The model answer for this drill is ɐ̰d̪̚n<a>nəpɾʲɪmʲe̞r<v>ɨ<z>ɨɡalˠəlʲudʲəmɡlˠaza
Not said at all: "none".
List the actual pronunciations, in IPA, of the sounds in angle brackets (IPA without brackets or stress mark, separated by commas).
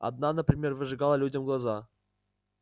a, v, ʐ